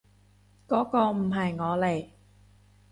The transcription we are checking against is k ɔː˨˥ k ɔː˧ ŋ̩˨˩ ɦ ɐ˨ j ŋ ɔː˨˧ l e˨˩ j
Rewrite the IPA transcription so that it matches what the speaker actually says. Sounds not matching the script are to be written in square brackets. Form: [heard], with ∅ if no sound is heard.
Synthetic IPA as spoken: k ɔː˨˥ k ɔː˧ [m̩˨˩] ɦ ɐ˨ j ŋ ɔː˨˧ l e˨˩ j